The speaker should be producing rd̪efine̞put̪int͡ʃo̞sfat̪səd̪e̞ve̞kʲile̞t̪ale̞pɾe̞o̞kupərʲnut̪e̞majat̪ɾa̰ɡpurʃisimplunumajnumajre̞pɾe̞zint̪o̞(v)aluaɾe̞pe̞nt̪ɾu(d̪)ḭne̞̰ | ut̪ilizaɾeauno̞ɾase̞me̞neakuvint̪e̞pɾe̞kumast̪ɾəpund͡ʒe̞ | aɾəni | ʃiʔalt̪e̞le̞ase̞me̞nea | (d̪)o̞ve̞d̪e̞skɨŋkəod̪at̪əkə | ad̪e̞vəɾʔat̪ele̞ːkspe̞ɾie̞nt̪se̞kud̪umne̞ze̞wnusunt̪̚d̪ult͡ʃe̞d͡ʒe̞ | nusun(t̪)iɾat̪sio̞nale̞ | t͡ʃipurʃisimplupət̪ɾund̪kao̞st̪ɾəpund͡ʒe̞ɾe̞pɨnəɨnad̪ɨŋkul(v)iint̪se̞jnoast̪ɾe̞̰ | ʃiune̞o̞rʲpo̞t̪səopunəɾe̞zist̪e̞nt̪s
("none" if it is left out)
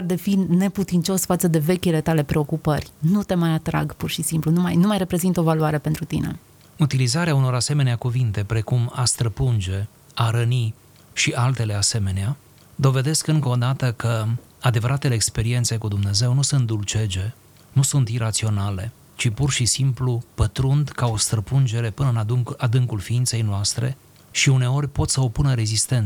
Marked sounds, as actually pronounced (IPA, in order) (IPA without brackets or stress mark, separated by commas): v, t̪, d̪, t̪, f